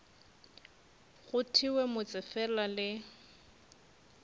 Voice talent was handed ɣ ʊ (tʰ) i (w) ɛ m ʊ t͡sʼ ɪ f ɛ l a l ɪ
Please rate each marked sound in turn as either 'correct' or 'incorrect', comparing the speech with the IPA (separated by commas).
correct, correct